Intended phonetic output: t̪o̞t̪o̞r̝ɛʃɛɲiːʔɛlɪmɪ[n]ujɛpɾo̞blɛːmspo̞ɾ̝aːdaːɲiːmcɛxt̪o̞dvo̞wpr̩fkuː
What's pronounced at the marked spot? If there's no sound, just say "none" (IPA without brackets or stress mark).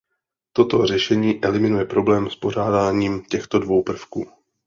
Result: n